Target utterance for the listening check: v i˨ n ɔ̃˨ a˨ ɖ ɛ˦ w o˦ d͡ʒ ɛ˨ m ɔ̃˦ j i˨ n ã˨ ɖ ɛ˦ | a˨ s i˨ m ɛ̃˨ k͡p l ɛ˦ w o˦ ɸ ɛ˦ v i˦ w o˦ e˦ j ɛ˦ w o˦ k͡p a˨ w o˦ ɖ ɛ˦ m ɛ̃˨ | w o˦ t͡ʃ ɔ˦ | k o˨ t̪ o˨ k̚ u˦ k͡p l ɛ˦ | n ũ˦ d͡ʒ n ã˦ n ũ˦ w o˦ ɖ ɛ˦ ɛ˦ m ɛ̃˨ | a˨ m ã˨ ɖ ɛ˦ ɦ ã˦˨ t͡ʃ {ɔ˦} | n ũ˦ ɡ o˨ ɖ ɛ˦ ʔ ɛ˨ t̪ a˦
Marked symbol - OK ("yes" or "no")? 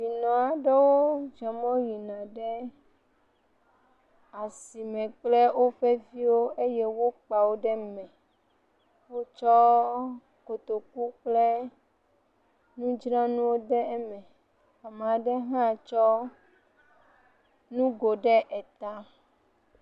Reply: yes